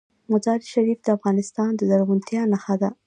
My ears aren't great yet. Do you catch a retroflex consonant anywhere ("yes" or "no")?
no